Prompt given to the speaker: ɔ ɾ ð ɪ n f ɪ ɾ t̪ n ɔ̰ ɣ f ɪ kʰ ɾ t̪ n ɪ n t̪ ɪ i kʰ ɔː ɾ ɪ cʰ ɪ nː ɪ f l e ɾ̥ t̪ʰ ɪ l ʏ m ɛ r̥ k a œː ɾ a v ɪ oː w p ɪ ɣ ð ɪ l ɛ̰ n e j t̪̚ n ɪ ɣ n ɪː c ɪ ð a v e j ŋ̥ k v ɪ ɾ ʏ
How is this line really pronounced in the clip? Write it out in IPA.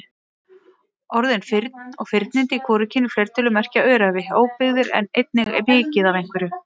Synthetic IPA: ɔ ɾ ð ɪ n f ɪ ɾ t̪ n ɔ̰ ɣ f ɪ ɾ t̪ n ɪ n t̪ ɪ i kʰ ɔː ɾ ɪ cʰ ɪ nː ɪ f l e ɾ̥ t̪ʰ ɪ l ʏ m ɛ r̥ c a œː ɾ a v ɪ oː w p ɪ ɣ ð ɪ ɾ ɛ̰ n e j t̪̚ n ɪ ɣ m ɪː c ɪ ð a v e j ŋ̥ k v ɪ ɾ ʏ